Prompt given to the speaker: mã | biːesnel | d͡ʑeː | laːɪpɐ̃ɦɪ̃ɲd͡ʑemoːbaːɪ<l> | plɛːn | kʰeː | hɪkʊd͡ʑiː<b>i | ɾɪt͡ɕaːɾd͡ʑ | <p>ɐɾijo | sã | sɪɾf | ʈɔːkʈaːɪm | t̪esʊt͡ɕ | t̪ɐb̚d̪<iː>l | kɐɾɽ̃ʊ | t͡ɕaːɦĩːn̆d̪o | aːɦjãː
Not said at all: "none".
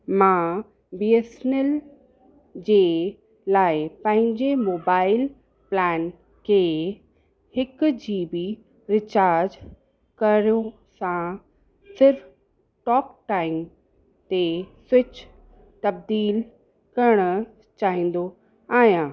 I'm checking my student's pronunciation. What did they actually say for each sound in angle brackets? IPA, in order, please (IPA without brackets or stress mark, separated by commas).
l, b, k, iː